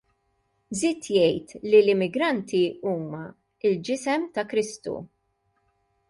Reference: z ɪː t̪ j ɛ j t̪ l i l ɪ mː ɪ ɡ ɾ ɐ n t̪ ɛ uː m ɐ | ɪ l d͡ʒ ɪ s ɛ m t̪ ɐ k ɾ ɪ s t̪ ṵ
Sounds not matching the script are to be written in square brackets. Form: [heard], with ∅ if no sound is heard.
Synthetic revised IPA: z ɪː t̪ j ɛ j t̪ l i l ɪ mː ɪ ɡ ɾ ɐ n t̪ [i] uː m ɐ | ɪ l d͡ʒ ɪ s ɛ m t̪ ɐ k ɾ ɪ s t̪ ṵ